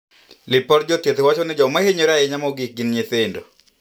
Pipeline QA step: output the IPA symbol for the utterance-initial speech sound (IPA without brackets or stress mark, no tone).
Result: l